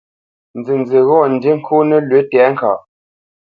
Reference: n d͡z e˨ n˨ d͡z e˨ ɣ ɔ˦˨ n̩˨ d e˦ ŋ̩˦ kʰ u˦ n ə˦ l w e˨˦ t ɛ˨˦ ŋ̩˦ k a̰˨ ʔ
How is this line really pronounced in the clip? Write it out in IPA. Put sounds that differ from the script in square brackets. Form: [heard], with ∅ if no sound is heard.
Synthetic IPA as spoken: n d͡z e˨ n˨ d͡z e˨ ɣ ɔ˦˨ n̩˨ d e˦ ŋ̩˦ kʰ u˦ n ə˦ l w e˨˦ t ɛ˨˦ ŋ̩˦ k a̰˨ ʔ